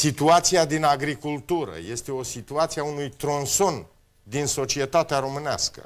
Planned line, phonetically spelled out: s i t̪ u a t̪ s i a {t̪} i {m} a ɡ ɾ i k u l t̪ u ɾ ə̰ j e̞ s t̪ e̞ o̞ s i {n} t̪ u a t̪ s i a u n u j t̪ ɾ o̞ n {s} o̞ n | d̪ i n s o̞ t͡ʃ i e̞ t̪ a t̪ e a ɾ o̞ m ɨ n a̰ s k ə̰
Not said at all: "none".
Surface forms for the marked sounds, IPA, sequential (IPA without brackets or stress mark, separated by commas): d̪, n, none, s